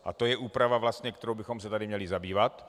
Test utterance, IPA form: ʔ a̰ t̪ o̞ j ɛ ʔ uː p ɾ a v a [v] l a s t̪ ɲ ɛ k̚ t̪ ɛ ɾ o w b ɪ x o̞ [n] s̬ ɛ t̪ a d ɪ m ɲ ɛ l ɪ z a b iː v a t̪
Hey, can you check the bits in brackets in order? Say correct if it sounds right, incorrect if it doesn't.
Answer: correct, incorrect

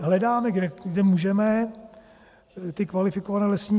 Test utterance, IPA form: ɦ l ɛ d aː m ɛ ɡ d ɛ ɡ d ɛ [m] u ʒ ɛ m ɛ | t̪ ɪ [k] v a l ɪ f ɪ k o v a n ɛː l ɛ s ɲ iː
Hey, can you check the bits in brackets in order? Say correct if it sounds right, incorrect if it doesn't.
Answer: correct, correct

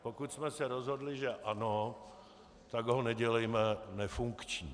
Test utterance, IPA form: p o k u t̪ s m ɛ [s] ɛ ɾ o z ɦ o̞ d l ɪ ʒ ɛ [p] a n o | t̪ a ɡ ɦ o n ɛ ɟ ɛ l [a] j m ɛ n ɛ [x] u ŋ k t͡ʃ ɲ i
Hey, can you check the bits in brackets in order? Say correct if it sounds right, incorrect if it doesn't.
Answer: correct, incorrect, incorrect, incorrect

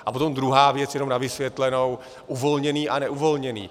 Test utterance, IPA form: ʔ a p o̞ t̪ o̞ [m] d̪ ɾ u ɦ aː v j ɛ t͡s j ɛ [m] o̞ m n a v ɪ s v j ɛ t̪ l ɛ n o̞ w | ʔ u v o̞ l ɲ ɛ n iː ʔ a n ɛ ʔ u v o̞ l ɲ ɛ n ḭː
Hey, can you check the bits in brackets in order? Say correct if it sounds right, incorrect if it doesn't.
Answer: correct, incorrect

